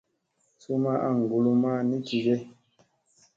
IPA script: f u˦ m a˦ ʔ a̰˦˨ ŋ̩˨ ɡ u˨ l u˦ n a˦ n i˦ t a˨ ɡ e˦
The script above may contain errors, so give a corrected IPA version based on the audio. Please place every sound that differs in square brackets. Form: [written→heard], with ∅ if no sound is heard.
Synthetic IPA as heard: [f→s] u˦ m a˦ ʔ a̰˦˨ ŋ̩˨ ɡ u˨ l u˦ [n→m] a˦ n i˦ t [a˨→i˨] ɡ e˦